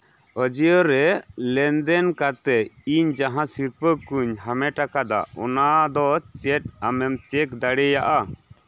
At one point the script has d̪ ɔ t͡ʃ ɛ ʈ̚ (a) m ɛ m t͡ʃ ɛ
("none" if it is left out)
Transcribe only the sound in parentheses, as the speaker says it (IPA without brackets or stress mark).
a